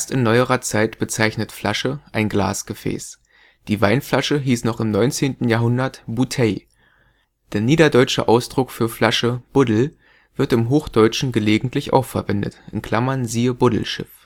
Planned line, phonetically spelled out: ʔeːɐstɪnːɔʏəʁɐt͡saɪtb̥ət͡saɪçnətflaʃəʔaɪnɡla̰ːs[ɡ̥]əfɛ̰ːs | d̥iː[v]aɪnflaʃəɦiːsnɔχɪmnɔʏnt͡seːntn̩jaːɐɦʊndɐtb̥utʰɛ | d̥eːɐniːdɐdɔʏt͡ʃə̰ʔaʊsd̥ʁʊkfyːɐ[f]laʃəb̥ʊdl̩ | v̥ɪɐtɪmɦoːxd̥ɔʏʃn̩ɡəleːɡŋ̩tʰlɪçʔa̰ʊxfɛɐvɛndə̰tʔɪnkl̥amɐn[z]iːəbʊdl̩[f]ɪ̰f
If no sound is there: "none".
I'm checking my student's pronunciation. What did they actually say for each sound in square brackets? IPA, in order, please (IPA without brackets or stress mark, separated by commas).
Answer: ɡ̥, v, f, z, ʃ